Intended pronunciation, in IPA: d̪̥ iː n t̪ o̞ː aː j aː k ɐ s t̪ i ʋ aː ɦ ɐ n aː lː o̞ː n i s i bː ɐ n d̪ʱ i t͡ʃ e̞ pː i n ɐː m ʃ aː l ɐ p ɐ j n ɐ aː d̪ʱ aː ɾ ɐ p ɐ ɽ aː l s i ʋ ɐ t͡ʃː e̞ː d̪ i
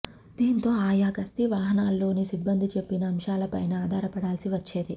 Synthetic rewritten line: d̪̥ iː n t̪ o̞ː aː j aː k ɐ s t̪ i ʋ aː ɦ ɐ n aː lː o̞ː n i s i bː ɐ n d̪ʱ i t͡ʃ e̞ pː i n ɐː m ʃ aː l ɐ p ɐ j n ɐ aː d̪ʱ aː ɾ ɐ p ɐ ɽ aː l s i ʋ ɐ t͡ʃː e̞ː d̪ i